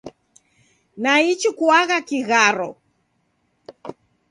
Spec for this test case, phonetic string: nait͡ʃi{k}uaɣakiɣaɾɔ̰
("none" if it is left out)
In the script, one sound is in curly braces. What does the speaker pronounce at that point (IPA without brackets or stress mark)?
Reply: k